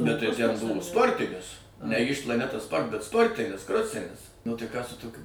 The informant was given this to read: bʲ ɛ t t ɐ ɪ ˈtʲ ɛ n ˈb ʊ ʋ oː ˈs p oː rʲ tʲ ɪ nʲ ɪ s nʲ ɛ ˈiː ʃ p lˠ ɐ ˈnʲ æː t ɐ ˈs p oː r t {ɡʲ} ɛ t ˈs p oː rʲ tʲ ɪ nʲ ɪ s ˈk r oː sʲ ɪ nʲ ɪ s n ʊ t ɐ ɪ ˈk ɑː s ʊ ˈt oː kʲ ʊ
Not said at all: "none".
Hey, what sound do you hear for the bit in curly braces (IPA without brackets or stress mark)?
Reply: bʲ